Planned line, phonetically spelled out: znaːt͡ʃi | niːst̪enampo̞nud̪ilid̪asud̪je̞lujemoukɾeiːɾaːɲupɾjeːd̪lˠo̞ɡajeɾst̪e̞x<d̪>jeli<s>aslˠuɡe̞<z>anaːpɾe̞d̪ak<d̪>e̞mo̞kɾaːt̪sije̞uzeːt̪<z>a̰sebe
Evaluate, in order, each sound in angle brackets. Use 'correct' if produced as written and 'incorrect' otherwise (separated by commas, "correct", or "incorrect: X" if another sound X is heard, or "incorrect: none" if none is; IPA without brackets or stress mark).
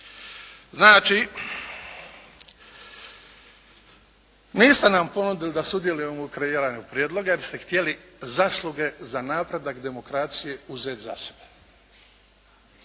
incorrect: t̪, incorrect: z, correct, correct, correct